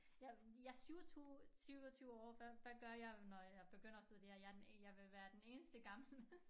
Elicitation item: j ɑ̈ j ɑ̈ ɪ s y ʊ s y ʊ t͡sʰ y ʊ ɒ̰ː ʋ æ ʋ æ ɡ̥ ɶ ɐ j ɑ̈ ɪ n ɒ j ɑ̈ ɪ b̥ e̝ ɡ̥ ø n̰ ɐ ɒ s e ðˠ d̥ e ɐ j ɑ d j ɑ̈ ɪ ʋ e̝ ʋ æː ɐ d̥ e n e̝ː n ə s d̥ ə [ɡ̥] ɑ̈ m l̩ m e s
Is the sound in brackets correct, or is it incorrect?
correct